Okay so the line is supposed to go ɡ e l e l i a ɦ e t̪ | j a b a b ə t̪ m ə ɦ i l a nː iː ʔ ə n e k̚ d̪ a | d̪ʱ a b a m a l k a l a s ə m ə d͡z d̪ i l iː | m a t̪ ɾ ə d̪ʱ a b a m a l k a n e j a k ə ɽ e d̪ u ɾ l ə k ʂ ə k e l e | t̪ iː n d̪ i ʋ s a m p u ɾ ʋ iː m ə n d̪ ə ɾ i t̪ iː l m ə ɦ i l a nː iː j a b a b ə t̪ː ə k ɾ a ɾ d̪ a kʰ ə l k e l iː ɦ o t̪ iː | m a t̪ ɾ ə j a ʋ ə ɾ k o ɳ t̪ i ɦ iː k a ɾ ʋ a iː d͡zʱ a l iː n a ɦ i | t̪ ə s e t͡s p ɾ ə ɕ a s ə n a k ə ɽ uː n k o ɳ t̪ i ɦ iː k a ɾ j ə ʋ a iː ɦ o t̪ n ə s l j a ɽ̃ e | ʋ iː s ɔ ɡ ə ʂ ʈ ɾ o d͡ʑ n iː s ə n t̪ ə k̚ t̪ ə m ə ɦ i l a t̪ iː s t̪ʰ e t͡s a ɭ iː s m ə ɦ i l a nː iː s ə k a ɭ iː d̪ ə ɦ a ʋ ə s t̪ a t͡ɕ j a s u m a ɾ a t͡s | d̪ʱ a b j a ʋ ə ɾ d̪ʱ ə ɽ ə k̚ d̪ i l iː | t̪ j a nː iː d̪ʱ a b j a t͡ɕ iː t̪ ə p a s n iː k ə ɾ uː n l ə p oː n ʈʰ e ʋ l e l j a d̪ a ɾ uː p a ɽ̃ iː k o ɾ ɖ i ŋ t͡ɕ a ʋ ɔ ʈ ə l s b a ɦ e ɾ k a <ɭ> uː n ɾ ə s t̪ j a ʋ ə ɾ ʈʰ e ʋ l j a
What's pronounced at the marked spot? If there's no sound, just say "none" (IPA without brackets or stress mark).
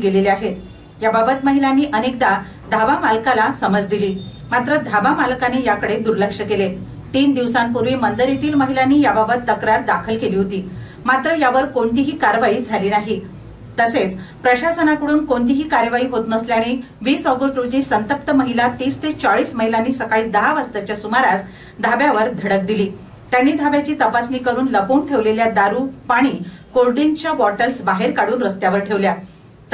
ɽ